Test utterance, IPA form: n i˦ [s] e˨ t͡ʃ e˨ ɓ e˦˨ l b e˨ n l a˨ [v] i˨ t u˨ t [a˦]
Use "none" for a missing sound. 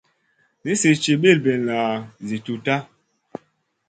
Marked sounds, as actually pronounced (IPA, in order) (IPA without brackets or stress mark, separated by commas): s, z, a˦